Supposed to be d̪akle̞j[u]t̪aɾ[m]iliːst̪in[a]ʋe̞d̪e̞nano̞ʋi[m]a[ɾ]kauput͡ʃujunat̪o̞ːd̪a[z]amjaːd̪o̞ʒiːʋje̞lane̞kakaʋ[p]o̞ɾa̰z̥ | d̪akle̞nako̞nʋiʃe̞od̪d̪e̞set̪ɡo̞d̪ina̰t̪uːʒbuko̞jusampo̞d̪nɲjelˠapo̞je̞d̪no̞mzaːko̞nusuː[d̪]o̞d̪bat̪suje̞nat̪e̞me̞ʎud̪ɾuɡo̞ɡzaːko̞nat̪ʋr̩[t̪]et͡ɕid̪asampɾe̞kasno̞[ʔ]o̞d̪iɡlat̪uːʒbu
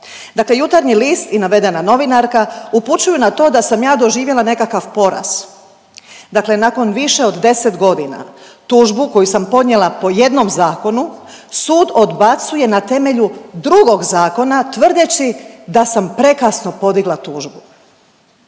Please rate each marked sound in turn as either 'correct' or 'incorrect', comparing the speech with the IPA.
correct, incorrect: ɲ, correct, incorrect: n, correct, incorrect: s, correct, correct, incorrect: d̪, incorrect: p

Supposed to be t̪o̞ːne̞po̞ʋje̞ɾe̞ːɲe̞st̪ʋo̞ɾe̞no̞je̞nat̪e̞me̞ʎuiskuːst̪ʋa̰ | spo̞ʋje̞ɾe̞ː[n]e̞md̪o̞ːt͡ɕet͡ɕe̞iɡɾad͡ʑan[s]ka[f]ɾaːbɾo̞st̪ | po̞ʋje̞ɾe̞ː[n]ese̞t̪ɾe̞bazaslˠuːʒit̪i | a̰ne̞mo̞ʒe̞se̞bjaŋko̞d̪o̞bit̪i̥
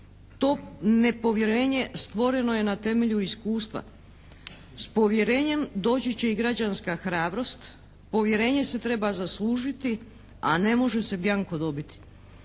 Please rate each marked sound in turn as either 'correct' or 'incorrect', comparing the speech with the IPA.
incorrect: ɲ, correct, incorrect: x, incorrect: ɲ

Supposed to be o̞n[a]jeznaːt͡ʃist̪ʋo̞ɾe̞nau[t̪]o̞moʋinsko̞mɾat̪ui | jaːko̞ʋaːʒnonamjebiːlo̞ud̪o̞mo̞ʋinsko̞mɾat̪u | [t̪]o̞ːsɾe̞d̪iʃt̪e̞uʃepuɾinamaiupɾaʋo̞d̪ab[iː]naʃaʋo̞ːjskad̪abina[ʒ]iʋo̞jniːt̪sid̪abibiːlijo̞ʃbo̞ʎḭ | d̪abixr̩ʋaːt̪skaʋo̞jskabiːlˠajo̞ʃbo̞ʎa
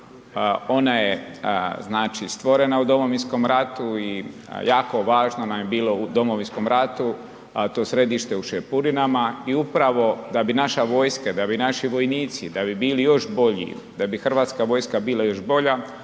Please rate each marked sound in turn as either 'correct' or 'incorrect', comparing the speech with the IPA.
correct, incorrect: d̪, correct, incorrect: i, incorrect: ʃ

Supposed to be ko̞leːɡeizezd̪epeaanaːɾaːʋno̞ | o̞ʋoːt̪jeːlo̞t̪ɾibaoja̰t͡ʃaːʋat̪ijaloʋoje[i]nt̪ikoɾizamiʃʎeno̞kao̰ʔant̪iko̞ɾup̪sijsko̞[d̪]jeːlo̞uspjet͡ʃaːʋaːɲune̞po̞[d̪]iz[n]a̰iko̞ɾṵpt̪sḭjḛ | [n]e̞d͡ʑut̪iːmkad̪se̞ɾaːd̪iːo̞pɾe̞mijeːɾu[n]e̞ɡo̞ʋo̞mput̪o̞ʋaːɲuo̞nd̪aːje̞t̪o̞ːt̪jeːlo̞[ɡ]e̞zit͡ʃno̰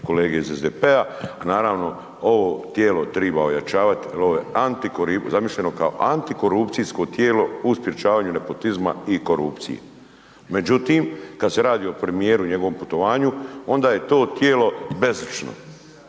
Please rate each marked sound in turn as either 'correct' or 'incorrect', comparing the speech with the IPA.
incorrect: a, incorrect: t̪, incorrect: t̪, incorrect: m, incorrect: m, incorrect: ɲ, incorrect: b

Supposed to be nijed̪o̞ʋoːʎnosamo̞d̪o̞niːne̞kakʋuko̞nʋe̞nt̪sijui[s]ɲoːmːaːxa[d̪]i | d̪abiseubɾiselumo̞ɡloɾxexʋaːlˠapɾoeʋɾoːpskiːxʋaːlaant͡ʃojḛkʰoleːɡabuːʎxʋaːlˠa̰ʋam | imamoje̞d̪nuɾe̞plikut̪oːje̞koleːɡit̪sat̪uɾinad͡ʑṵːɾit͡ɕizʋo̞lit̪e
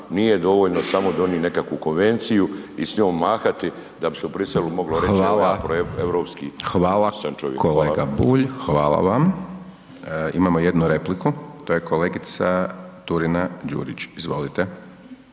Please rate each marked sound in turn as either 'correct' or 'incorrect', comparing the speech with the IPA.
correct, incorrect: t̪

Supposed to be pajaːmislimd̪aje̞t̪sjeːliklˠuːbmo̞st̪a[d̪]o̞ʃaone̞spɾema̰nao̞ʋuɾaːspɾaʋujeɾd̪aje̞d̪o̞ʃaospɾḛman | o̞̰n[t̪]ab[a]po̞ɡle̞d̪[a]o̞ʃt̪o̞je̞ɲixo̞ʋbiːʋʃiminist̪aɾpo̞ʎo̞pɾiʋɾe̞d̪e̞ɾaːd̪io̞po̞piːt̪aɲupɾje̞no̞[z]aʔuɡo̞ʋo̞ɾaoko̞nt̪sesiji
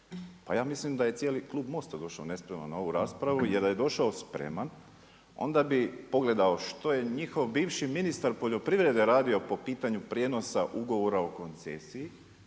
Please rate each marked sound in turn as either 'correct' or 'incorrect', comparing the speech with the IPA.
correct, incorrect: d̪, incorrect: i, correct, incorrect: s

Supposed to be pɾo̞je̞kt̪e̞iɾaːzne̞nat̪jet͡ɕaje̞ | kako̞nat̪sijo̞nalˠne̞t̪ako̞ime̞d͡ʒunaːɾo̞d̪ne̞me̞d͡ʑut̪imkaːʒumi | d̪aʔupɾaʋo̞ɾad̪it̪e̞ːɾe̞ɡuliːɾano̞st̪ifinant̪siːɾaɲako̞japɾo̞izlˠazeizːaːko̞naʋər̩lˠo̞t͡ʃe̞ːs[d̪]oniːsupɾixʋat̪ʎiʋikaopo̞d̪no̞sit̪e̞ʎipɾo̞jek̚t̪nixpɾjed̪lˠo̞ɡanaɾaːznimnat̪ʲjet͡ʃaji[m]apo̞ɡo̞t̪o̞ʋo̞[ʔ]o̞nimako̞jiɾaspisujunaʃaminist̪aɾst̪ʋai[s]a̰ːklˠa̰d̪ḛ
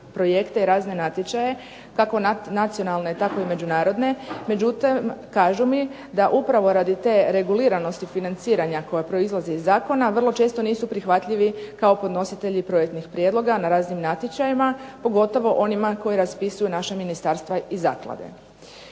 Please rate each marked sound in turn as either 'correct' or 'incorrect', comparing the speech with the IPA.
incorrect: t̪, correct, correct, incorrect: z

